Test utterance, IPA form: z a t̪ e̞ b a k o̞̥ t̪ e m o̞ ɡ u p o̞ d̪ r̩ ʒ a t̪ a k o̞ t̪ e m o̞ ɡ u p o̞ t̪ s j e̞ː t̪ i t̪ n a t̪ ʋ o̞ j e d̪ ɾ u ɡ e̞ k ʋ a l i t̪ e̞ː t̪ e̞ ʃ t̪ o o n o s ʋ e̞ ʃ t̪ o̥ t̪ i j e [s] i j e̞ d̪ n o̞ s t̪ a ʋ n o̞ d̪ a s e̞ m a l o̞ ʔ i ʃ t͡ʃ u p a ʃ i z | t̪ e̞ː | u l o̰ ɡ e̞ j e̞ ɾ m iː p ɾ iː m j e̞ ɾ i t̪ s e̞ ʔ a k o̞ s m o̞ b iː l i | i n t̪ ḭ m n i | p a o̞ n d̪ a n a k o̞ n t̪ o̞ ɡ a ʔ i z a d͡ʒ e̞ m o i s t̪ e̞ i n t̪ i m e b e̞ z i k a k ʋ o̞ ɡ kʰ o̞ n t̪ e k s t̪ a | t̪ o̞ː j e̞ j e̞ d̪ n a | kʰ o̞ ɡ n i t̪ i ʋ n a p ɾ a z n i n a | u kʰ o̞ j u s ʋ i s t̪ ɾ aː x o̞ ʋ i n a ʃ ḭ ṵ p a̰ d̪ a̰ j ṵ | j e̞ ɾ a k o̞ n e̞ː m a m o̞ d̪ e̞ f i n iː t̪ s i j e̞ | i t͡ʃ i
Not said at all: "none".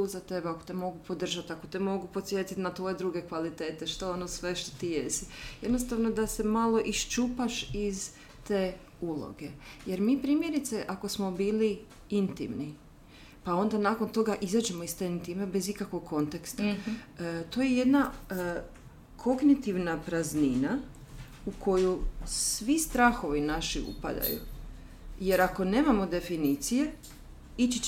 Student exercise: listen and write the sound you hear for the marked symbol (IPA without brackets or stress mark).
s